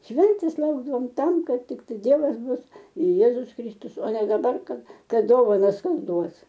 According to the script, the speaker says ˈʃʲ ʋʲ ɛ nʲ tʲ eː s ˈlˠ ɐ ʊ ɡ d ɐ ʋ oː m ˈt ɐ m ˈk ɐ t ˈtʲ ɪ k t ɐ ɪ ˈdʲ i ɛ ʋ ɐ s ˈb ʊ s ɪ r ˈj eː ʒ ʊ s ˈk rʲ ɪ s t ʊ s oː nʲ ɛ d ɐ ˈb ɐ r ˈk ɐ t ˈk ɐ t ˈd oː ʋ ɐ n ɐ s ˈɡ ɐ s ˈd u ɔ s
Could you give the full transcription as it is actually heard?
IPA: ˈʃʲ ʋʲ ɛ nʲ tʲ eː s ˈlˠ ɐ ʊ ɡ d ɐ ʋ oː m ˈt ɐ m ˈk ɐ t ˈtʲ ɪ k t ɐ ɪ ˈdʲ i ɛ ʋ ɐ s ˈb ʊ s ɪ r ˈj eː z ʊ s ˈk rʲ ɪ s t ʊ s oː nʲ ɛ d ɐ ˈb ɐ r ˈk ɐ t ˈk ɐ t ˈd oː ʋ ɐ n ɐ s ˈk ɐ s ˈd u ɔ s